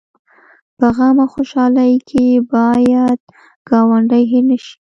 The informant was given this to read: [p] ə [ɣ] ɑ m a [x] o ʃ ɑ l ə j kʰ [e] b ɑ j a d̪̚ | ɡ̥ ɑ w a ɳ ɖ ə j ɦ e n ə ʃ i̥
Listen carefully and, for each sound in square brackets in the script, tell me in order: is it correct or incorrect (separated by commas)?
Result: correct, correct, correct, correct